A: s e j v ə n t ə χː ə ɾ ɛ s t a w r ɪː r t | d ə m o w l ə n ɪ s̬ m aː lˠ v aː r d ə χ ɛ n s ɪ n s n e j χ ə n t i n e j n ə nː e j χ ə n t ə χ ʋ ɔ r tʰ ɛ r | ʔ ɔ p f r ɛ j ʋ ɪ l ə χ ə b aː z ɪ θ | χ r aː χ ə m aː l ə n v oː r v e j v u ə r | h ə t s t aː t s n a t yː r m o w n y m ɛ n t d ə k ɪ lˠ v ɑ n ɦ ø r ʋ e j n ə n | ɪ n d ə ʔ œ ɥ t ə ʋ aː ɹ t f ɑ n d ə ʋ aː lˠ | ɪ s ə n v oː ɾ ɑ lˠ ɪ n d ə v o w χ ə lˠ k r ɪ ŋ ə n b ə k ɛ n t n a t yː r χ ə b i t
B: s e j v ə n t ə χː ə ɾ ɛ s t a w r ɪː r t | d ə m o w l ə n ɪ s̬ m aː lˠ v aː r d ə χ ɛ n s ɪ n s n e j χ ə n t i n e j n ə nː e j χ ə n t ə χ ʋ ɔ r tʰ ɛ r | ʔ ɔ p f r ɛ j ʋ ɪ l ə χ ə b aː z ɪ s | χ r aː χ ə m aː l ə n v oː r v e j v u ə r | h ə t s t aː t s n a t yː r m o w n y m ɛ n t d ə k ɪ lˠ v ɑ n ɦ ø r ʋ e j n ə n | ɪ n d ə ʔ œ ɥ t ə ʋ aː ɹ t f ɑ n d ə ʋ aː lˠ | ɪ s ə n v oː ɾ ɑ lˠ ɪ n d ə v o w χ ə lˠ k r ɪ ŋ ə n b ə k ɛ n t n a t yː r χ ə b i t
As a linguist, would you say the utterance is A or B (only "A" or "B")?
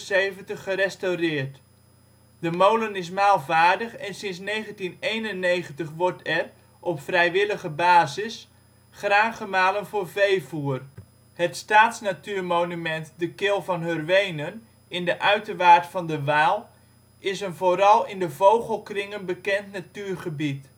B